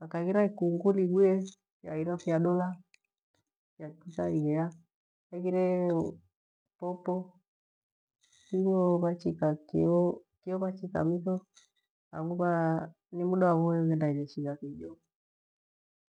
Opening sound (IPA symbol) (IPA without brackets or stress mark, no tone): a